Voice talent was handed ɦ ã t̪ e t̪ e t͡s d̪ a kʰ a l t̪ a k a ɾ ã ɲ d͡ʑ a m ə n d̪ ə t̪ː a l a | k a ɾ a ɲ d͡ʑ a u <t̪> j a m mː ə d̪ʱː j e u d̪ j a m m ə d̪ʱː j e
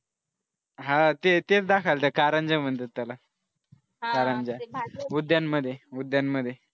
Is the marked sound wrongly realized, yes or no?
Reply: yes